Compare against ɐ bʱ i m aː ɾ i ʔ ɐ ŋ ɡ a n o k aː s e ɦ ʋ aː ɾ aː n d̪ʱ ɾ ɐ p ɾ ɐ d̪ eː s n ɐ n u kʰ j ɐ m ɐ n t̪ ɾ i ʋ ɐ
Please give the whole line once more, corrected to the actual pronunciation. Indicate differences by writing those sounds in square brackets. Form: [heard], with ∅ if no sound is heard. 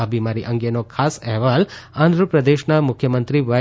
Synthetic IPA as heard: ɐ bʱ i m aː ɾ i ʔ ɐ ŋ ɡ [e] n o [kʰ] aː s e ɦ ʋ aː [l] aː n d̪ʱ ɾ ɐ p ɾ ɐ d̪ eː [ʃ] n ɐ [m] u kʰ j ɐ m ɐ n t̪ ɾ i ʋ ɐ